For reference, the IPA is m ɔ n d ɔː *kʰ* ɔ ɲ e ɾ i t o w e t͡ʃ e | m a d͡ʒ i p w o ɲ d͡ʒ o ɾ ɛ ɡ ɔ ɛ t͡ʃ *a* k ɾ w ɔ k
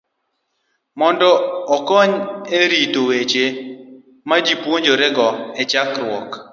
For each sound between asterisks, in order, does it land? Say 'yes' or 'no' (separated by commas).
no, yes